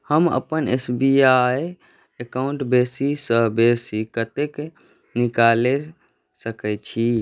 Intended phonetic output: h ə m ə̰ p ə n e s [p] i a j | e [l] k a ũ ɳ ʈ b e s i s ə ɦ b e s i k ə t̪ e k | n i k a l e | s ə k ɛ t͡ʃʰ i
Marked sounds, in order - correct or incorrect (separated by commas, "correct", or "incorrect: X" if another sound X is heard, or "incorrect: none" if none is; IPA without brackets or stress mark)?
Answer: incorrect: b, incorrect: none